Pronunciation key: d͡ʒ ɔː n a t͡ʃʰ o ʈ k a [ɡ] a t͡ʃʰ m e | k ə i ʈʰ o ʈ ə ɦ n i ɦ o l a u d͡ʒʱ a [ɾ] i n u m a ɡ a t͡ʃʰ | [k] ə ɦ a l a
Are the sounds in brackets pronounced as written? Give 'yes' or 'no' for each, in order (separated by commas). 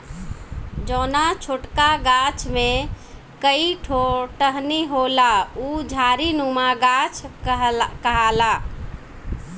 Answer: yes, yes, yes